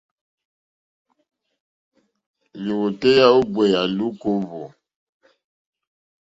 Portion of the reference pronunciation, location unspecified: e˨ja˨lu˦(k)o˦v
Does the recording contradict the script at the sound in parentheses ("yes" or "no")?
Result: no